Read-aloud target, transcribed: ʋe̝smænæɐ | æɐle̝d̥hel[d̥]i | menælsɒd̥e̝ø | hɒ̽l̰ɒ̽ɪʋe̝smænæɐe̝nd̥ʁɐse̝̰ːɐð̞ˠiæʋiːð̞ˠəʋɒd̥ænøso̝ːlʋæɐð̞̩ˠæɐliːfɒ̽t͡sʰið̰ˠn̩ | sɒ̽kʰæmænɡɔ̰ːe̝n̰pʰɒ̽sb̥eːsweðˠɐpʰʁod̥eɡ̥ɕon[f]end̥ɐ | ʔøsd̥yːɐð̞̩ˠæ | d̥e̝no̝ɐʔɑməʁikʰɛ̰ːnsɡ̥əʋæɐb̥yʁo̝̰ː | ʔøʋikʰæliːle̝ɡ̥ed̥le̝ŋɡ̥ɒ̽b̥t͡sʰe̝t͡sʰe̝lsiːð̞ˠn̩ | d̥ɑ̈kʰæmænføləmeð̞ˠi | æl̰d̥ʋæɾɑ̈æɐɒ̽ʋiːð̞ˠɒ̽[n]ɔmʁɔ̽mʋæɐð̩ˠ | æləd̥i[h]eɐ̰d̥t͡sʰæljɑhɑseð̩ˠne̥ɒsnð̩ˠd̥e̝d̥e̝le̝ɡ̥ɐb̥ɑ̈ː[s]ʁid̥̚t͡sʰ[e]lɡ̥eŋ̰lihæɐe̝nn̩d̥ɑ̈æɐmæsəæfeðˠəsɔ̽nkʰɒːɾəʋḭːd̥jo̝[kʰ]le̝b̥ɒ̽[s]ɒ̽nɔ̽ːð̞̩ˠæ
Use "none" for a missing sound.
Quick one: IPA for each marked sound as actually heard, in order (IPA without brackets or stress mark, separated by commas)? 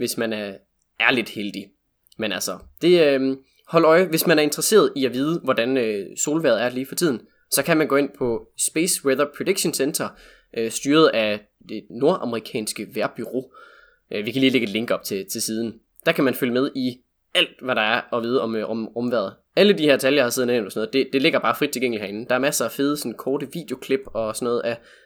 d̥, s, m, h, f, e, kʰ, s